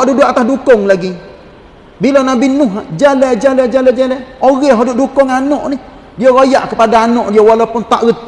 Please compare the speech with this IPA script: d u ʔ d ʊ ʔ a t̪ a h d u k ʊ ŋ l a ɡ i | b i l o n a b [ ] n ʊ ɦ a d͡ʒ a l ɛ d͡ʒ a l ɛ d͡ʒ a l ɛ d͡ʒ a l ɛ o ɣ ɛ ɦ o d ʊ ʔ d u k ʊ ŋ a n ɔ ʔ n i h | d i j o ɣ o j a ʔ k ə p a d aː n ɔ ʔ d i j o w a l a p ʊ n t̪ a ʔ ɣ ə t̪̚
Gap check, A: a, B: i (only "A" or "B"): B